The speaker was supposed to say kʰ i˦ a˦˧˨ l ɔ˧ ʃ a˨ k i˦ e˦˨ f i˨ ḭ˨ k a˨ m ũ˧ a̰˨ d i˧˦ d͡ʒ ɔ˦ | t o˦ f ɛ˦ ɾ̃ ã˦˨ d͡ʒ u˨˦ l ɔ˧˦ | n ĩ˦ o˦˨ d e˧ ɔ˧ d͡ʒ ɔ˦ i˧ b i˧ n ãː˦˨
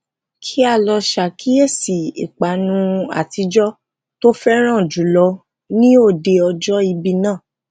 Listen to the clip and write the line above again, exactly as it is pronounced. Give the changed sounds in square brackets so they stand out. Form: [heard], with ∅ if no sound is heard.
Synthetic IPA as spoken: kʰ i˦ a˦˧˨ l ɔ˧ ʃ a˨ k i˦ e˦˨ [s] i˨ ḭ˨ [k͡p] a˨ [n] ũ˧ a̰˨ [t] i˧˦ d͡ʒ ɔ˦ | t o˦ f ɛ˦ ɾ̃ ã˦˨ d͡ʒ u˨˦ l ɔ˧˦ | n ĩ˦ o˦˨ d e˧ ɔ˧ d͡ʒ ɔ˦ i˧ b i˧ n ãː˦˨